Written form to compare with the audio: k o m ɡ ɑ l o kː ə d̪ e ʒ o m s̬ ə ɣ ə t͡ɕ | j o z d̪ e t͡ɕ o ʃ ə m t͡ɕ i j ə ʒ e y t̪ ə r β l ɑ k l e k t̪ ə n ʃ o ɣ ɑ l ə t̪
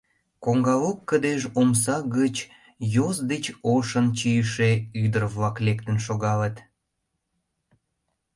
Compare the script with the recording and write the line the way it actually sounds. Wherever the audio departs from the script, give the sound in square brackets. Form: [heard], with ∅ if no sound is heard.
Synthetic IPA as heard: k o [ŋ] ɡ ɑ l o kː ə d̪ e ʒ o m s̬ [ɑ] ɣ ə t͡ɕ | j o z d̪ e t͡ɕ o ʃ ə [n] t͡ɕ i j ə [ʃ] e y [d̪] ə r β l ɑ k l e k t̪ ə n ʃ o ɣ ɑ l ə t̪